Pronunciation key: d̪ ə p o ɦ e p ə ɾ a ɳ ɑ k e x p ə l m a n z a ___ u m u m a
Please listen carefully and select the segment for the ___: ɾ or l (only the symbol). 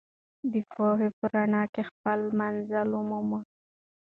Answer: l